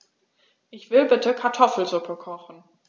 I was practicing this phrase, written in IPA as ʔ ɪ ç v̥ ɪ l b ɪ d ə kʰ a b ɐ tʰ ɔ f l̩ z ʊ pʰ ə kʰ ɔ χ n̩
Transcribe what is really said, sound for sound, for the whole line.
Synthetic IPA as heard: ʔ ɪ ç v̥ ɪ l b ɪ t ə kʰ a ɐ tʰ ɔ f l̩ z ʊ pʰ ə kʰ ɔ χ n̩